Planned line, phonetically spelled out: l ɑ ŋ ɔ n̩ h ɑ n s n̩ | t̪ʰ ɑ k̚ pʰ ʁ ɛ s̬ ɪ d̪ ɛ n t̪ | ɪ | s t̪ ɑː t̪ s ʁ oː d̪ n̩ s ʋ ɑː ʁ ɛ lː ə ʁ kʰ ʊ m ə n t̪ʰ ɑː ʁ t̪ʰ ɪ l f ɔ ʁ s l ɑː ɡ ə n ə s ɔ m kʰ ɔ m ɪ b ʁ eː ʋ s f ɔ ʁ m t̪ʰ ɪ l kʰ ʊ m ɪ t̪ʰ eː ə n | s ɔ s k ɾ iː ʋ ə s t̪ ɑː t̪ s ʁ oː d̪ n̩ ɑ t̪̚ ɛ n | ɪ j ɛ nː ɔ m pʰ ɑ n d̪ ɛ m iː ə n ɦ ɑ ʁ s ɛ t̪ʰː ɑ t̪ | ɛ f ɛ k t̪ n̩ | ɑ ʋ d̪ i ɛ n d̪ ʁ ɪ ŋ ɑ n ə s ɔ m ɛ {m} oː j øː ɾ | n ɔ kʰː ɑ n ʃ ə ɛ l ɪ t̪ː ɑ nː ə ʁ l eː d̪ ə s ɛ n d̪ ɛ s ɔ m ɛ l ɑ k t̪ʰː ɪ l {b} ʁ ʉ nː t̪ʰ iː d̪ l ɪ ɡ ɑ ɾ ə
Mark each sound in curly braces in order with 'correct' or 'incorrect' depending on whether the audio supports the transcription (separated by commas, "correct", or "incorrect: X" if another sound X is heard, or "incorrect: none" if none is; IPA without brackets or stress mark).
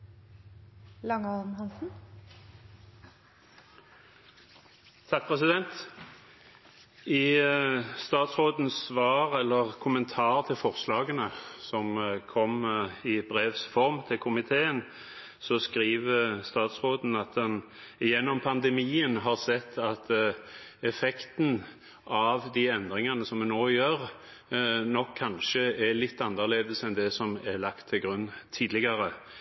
incorrect: n, incorrect: ɡ